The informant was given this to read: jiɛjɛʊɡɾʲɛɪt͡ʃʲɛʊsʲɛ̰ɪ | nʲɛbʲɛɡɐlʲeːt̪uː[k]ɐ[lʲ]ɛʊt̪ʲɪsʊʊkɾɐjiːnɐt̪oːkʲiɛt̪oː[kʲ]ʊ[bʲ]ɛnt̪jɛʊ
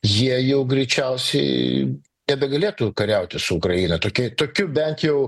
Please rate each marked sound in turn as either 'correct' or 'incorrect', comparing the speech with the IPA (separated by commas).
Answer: correct, incorrect, correct, correct